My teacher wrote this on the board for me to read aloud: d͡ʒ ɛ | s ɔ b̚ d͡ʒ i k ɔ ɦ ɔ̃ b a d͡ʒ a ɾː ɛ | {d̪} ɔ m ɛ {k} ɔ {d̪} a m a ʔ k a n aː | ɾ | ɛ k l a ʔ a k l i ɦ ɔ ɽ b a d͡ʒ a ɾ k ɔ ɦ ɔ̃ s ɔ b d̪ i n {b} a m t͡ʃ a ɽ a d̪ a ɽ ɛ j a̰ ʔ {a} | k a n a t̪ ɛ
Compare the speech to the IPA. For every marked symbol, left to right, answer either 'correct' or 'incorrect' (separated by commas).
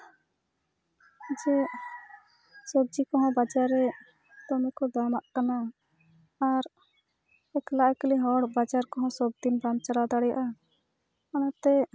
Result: incorrect, correct, correct, correct, correct